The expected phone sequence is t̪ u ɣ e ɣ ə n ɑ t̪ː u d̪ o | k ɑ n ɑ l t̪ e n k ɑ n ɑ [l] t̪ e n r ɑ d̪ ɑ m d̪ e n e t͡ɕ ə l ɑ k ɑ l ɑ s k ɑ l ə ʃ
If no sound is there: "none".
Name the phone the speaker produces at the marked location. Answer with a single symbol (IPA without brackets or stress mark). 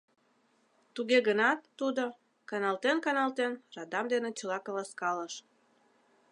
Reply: l